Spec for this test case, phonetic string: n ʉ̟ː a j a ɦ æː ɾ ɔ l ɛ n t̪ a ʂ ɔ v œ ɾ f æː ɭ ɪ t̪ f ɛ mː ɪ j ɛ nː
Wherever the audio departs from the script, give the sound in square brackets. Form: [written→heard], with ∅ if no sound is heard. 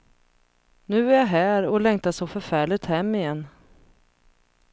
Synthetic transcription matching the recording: n ʉ̟ː [a→æ] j a ɦ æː ɾ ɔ l ɛ [n→ŋ] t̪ a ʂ ɔ [v→f] œ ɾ f æː ɭ ɪ t̪ [f→h] ɛ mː ɪ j ɛ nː